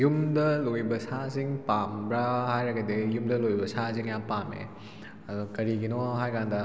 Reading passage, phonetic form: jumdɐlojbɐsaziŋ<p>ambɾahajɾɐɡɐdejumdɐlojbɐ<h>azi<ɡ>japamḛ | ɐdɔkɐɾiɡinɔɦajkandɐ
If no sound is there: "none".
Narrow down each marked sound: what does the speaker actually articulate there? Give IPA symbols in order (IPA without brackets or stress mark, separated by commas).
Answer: p, s, ŋ